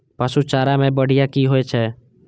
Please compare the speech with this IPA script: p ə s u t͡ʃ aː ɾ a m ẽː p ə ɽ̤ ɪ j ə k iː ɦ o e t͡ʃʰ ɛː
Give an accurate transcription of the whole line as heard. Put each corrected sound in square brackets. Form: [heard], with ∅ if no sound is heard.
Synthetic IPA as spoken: p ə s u t͡ʃ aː ɾ a m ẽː [b] ə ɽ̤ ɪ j [a] k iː ɦ o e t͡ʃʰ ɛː